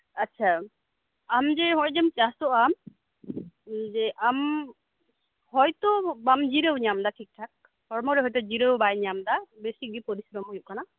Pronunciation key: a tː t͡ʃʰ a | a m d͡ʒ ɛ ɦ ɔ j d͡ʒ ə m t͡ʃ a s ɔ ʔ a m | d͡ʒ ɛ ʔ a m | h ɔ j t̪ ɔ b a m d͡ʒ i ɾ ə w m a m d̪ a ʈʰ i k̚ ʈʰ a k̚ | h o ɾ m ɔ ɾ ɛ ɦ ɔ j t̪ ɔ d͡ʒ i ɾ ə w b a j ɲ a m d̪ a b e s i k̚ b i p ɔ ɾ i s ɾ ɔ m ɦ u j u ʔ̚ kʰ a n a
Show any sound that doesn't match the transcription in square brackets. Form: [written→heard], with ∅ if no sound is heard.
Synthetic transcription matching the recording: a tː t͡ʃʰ a | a m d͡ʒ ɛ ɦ ɔ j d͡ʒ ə m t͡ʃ a s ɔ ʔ a m | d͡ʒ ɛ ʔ a m | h ɔ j t̪ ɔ b a m d͡ʒ i ɾ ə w [m→ɲ] a m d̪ a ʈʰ i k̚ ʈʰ a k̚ | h [o→ɔ] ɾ m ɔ ɾ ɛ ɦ ɔ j t̪ ɔ d͡ʒ i ɾ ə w b a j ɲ a m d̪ a b e s i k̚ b i p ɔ ɾ i s ɾ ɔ m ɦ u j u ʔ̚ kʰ a n a